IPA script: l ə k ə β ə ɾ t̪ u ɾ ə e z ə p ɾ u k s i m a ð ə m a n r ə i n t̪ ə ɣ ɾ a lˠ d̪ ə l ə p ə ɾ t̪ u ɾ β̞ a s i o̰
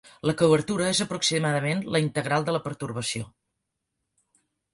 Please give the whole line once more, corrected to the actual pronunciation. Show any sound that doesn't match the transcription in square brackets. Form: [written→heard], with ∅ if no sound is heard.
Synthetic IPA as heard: l ə k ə β ə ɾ t̪ u ɾ ə e z ə p ɾ u k s i m a ð ə m [a→e] n [r→l] ə i n t̪ ə ɣ ɾ a lˠ d̪ ə l ə p ə ɾ t̪ u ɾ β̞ [a→ə] s i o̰